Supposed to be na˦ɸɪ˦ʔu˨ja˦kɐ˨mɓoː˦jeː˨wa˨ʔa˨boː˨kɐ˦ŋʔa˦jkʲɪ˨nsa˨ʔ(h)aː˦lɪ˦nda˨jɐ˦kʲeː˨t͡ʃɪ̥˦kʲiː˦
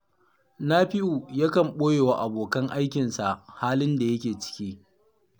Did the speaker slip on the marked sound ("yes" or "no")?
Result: no